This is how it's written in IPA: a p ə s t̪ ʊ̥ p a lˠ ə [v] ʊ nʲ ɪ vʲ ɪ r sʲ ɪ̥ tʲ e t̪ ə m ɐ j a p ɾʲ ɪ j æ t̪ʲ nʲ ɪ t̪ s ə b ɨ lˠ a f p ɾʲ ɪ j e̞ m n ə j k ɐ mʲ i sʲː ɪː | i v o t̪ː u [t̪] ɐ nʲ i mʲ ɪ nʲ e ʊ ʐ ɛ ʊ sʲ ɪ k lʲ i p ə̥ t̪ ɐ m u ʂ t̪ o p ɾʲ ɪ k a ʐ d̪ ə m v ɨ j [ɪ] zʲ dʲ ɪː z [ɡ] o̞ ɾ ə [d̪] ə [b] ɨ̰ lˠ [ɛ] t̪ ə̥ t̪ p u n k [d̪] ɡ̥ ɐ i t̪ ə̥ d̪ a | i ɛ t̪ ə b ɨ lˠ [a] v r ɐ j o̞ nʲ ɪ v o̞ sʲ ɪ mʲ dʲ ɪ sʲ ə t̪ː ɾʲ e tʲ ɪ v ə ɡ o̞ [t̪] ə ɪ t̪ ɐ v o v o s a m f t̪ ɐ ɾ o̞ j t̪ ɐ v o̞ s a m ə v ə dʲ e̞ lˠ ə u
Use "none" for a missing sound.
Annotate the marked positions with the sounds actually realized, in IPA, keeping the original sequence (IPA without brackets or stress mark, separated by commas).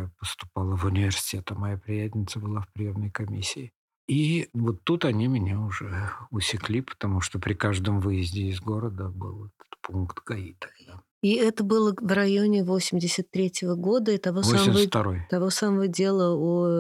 v, t̪, ɪ, ɡ, d̪, b, ɛ, t̪, ə, d̪